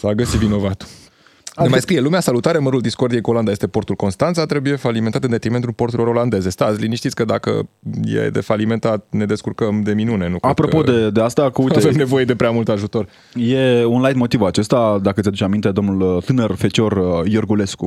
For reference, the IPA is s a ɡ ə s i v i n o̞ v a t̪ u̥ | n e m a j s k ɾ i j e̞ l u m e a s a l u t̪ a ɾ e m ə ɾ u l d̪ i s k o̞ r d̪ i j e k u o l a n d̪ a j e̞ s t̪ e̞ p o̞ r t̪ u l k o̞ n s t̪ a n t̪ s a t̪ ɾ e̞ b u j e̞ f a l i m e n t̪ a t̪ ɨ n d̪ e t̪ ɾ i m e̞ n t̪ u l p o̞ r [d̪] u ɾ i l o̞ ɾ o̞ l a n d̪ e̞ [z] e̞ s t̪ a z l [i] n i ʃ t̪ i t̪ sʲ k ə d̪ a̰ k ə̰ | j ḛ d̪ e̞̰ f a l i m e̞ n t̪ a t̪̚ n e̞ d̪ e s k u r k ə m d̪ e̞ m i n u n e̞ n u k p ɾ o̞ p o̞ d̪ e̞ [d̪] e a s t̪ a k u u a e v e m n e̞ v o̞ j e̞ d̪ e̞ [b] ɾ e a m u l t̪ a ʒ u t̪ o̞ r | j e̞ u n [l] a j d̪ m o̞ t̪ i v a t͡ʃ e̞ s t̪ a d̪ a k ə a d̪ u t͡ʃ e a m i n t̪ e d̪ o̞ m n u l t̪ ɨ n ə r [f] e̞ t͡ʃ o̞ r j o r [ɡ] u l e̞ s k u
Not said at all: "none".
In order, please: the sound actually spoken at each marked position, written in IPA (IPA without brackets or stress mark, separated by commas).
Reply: t̪, z, i, d̪, p, l, f, ɡ